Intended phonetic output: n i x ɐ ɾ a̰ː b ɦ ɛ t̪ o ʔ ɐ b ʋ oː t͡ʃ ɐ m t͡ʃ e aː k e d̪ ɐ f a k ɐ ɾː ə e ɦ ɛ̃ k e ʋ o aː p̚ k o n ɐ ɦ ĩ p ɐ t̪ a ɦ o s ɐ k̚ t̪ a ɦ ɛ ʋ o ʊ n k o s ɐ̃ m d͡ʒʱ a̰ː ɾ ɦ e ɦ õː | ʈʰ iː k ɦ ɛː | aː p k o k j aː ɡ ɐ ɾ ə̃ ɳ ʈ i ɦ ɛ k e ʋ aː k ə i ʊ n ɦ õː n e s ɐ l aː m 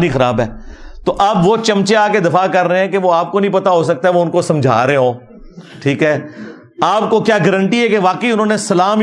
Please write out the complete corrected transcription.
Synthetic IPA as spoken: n i x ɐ ɾ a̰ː b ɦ ɛː t̪ o ʔ ɐ b ʋ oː t͡ʃ ɐ m t͡ʃ e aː k e d̪ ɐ f a k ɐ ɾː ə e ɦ ɛ̃ k e ʋ o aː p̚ k o n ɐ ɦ ĩ p ɐ t̪ a ɦ o s ɐ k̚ t̪ a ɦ ɛ ʋ o ʊ n k o s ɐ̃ m d͡ʒʱ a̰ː ɾ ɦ e ɦ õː | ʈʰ iː k ɦ ɛː | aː p k o k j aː ɡ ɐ ɾ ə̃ ɳ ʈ i ɦ ɛ k e ʋ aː k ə i ʊ n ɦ õː n e s ɐ l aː m